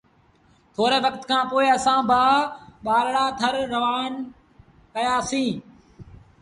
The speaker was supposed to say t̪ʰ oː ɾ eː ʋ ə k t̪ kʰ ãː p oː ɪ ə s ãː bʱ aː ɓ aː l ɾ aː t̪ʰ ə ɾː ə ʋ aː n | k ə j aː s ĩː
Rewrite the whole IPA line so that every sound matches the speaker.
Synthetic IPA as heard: t̪ʰ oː ɾ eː ʋ ə k t̪ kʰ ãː p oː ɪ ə s ãː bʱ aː ɓ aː l ɽ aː t̪ʰ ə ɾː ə ʋ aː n | k ə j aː s ĩː